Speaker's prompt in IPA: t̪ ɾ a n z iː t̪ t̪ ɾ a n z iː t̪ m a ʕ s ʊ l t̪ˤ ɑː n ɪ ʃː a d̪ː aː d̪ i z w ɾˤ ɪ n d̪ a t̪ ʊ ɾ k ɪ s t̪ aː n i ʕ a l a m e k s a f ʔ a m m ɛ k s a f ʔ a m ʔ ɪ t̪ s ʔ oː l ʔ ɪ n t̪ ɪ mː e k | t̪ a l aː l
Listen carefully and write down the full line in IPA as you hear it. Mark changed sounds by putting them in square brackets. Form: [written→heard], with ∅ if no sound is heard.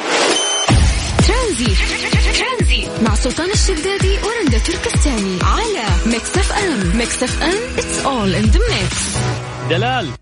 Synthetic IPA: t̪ ɾ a n z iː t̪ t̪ ɾ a n z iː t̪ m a ʕ s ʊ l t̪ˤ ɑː n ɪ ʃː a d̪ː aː d̪ i [z→∅] w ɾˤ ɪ n d̪ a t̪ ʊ ɾ k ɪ s t̪ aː n i ʕ a l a m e k s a f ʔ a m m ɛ k s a f ʔ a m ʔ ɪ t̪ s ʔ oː l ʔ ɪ n [t̪→d̪] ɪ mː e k | [t̪→d̪] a l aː l